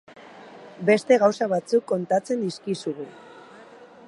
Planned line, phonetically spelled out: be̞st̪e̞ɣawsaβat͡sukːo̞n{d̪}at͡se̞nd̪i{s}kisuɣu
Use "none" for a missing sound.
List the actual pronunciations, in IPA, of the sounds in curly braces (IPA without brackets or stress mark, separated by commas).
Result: t̪, s